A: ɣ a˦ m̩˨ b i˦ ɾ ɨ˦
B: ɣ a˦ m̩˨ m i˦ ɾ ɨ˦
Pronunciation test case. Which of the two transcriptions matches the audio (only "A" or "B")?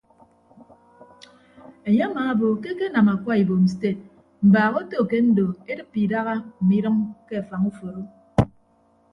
B